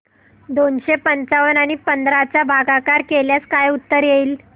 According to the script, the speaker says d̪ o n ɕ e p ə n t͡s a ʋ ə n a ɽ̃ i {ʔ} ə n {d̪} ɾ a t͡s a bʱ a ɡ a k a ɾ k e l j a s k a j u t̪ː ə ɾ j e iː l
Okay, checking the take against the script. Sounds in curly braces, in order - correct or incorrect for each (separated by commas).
incorrect, correct